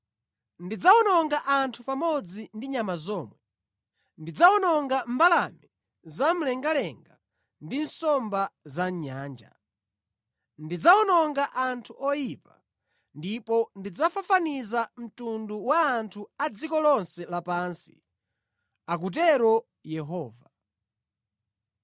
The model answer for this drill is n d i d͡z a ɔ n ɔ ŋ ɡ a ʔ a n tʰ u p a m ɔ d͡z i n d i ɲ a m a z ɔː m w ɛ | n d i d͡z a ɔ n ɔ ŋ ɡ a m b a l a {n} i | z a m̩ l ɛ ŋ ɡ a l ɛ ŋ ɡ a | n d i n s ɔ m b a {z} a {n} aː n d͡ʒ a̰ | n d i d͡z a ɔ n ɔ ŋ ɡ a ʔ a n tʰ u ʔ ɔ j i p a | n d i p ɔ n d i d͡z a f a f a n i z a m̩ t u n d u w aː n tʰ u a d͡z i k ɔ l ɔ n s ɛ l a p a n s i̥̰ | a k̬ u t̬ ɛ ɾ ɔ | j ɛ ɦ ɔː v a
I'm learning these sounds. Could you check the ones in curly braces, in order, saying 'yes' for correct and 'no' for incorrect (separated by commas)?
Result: no, yes, no